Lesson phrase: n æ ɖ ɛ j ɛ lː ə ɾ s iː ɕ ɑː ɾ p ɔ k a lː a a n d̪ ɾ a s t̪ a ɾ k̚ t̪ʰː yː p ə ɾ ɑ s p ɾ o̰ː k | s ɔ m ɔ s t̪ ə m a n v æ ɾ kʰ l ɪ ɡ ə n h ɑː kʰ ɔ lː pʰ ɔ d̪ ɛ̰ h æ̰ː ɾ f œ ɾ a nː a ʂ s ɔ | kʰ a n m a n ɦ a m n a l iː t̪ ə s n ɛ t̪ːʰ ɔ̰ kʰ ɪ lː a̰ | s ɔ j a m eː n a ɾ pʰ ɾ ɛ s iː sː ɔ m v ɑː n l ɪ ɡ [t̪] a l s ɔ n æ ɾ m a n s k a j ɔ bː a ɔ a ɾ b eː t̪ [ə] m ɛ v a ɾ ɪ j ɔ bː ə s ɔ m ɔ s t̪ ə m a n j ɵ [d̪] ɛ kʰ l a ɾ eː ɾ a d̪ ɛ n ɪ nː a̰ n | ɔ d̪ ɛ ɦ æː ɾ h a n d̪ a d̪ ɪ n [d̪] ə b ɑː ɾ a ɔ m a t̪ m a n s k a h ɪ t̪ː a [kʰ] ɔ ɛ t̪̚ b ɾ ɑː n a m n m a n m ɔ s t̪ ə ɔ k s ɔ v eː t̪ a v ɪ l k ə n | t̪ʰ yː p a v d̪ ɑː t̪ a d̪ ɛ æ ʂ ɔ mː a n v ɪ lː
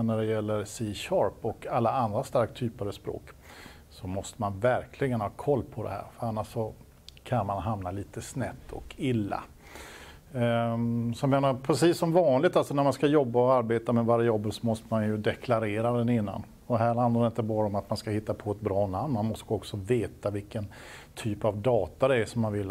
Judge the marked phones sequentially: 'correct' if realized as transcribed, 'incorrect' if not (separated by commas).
correct, incorrect, correct, incorrect, incorrect